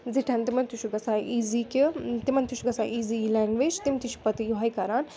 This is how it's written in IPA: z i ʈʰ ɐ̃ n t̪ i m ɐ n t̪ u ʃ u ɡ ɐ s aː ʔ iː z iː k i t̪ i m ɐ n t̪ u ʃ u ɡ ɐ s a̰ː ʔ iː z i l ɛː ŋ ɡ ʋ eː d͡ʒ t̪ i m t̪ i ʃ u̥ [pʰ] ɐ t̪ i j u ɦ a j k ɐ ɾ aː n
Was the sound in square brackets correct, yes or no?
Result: no